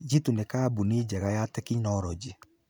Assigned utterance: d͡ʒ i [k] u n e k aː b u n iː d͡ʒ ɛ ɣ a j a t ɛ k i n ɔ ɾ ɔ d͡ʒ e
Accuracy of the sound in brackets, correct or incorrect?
incorrect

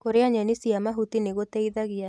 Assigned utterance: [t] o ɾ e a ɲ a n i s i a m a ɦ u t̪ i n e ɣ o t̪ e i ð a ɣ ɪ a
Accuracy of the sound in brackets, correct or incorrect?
incorrect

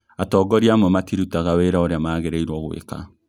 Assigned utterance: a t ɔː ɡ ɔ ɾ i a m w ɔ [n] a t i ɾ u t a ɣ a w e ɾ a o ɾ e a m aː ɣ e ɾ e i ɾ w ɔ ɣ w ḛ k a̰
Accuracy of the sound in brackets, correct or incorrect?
incorrect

